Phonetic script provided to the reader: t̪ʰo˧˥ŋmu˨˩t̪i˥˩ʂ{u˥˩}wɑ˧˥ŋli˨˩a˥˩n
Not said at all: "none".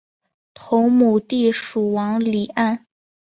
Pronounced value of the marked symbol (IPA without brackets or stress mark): u˨˩